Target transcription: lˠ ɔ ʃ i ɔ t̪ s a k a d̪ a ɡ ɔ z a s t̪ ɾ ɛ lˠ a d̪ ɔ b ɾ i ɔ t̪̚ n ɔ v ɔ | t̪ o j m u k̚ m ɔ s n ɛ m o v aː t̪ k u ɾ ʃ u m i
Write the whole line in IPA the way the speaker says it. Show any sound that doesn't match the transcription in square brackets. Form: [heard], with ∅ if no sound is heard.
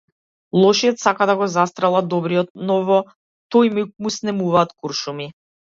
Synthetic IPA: lˠ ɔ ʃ i ɔ t̪ s a k a d̪ a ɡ ɔ z a s t̪ ɾ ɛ lˠ a d̪ ɔ b ɾ i ɔ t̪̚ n ɔ v ɔ | t̪ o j m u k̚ m [u] s n ɛ m [u] v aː t̪ k u ɾ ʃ u m i